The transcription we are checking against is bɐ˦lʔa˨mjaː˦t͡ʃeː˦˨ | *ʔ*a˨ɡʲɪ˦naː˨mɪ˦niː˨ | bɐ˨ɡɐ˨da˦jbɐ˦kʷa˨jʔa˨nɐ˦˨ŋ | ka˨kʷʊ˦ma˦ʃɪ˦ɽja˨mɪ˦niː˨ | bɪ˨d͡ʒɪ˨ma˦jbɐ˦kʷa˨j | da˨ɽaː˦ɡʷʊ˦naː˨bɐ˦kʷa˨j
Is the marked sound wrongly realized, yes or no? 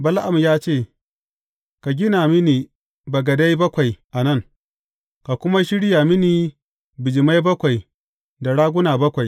yes